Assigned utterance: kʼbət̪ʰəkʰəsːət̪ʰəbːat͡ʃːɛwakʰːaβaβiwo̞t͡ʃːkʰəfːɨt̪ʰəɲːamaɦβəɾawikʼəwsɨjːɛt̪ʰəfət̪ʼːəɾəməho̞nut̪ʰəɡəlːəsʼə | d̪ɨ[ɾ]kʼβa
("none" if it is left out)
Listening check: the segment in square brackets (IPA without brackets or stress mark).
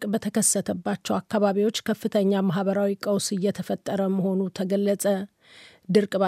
ɾ